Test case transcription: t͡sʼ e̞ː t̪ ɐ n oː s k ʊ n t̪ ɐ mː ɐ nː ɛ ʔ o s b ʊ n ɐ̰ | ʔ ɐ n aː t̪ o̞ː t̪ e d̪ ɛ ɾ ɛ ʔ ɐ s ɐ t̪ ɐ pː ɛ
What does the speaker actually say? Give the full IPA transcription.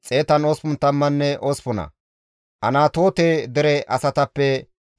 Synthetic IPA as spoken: t͡sʼ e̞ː t̪ ɐ n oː s p ʊ n t̪ ɐ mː ɐ nː ɛ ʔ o s p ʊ n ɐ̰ | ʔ ɐ n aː t̪ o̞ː t̪ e d̪ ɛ ɾ ɛ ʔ ɐ s ɐ t̪ ɐ pː ɛ

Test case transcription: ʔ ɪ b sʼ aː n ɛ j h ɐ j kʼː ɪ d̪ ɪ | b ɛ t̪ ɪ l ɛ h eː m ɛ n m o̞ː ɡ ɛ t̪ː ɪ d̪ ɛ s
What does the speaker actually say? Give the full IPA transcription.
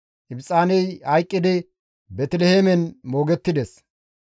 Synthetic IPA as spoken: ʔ ɪ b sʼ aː n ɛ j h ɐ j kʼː ɪ d̪ ɪ | b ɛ t̪ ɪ l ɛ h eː m ɛ n m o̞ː ɡ ɛ t̪ː ɪ d̪ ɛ s

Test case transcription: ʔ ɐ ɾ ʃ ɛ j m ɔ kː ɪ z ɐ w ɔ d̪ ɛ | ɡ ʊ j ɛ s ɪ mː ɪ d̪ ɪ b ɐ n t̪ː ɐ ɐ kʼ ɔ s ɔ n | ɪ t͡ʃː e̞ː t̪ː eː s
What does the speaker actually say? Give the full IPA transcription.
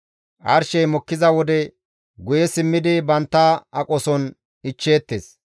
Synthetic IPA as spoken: ʔ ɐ ɾ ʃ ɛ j m ɔ kː ɪ z ɐ w ɔ d̪ ɛ | ɡ ʊ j ɛ s ɪ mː ɪ d̪ ɪ b ɐ n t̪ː ɐ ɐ kʼ ɔ s ɔ n | ɪ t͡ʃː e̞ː t̪ː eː s

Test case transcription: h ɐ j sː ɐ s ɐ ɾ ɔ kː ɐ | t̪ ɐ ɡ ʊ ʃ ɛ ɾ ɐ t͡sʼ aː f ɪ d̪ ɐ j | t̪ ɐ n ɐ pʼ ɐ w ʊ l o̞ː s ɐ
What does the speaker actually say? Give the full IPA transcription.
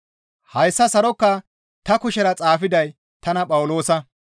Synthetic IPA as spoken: h ɐ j sː ɐ s ɐ ɾ ɔ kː ɐ | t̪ ɐ k ʊ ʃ ɛ ɾ ɐ t͡sʼ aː f ɪ d̪ ɐ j | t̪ ɐ n ɐ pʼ ɐ w ʊ l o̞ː s ɐ

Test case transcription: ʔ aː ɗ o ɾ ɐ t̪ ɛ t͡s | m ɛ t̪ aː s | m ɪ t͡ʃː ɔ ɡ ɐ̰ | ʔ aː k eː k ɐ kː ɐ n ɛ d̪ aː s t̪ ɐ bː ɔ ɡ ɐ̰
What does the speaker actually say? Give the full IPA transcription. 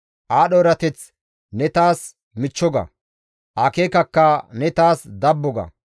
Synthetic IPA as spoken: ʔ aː ɗ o ɾ ɐ t̪ ɛ t͡s | n ɛ t̪ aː s | m ɪ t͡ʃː ɔ ɡ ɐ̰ | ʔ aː k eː k ɐ kː ɐ n ɛ t̪ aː s d̪ ɐ bː ɔ ɡ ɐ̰

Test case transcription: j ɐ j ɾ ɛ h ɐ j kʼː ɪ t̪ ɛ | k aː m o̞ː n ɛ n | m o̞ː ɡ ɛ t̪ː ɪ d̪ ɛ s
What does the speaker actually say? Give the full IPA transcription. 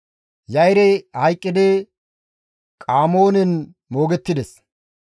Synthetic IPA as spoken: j ɐ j ɾ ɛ h ɐ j kʼː ɪ d̪ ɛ | kʼ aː m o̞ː n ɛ n | m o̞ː ɡ ɛ t̪ː ɪ d̪ ɛ s

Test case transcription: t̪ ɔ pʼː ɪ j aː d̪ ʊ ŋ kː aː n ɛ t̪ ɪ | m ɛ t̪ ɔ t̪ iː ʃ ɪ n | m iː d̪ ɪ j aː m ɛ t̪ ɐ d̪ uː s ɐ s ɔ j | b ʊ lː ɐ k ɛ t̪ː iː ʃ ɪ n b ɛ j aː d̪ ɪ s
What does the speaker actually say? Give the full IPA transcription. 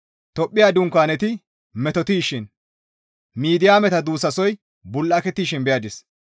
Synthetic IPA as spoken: t̪ ɔ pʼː ɪ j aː d̪ ʊ ŋ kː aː n ɛ t̪ ɪ | m ɛ t̪ ɔ t̪ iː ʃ ɪ n | m iː d̪ ɪ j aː m ɛ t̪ ɐ d̪ uː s ɐ s ɔ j | b ʊ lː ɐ k ɛ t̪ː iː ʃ ɪ n b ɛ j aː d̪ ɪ s

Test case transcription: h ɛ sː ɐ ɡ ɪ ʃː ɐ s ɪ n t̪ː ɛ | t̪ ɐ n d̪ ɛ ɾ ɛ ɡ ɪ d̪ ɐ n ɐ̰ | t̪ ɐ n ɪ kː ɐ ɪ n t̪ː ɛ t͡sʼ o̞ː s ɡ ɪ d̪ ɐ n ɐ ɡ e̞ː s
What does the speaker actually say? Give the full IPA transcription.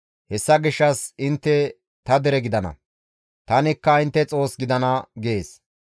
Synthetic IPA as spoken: h ɛ sː ɐ ɡ ɪ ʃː ɐ s ɪ n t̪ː ɛ | t̪ ɐ d̪ ɛ ɾ ɛ ɡ ɪ d̪ ɐ n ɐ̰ | t̪ ɐ n ɪ kː ɐ ɪ n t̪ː ɛ t͡sʼ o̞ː s ɡ ɪ d̪ ɐ n ɐ ɡ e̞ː s

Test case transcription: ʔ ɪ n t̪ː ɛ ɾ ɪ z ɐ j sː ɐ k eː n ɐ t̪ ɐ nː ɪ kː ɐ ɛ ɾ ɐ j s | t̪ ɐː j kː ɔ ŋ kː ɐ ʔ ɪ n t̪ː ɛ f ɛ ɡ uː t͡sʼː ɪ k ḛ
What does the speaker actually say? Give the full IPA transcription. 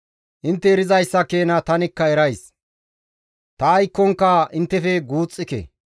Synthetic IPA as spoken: ʔ ɪ n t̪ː ɛ ɾ ɪ z ɐ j sː ɐ k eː n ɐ t̪ ɐ n ɪ kː ɐ ɛ ɾ ɐ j s | t̪ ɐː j kː ɔ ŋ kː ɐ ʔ ɪ n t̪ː ɛ f ɛ ɡ uː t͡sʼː ɪ k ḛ

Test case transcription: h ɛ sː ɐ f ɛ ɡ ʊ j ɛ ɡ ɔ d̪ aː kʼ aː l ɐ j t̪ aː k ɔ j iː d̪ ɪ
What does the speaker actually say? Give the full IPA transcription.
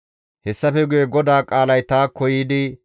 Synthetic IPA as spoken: h ɛ sː ɐ f ɛ ɡ ʊ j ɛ ɡ ɔ d̪ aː kʼ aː l ɐ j t̪ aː k ɔ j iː d̪ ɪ

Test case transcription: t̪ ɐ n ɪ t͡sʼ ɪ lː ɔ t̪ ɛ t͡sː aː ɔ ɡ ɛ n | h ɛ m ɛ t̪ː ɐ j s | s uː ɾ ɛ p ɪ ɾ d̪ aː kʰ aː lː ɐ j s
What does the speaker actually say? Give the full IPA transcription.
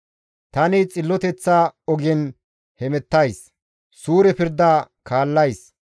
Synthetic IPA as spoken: t̪ ɐ n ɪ t͡sʼ ɪ lː ɔ t̪ ɛ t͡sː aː ɔ ɡ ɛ n | h ɛ m ɛ t̪ː ɐ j s | s uː ɾ ɛ p ɪ ɾ d̪ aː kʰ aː lː ɐ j s

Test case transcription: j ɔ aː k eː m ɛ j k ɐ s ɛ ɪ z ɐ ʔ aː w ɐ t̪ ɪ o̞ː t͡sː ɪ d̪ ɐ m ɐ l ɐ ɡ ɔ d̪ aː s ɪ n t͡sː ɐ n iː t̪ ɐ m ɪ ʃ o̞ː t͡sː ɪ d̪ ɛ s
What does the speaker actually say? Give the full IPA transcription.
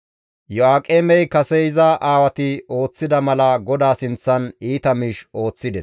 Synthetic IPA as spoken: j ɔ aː kʼ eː m ɛ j k ɐ s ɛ ɪ z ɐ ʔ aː w ɐ t̪ ɪ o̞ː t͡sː ɪ d̪ ɐ m ɐ l ɐ ɡ ɔ d̪ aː s ɪ n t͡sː ɐ n iː t̪ ɐ m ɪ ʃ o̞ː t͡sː ɪ d̪ ɛ s

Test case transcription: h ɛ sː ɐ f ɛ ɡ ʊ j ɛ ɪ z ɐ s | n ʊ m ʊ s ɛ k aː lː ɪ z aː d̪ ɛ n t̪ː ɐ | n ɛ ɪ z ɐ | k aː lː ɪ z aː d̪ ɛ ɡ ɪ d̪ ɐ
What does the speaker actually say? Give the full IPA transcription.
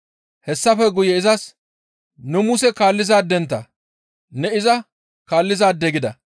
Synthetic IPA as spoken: h ɛ sː ɐ f ɛ ɡ ʊ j ɛ ɪ z ɐ s | n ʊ m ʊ s ɛ k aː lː ɪ z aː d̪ ɛ n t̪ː ɐ | n ɛ ɪ z ɐ | k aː lː ɪ z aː d̪ ɛ ɡ ɪ d̪ ɐ

